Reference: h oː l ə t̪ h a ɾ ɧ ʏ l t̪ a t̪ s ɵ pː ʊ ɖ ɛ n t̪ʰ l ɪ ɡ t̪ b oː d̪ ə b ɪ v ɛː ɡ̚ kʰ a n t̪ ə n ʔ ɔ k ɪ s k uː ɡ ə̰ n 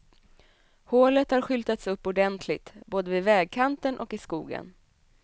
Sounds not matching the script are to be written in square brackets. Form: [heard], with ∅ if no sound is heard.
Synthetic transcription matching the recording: h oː l ə t̪ h a ɾ ɧ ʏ l t̪ a t̪ s ɵ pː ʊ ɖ ɛ n t̪ʰ l ɪ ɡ t̪ b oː d̪ ə [v] ɪ v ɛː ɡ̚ kʰ a n t̪ ə n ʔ ɔ k ɪ s k uː ɡ ə̰ n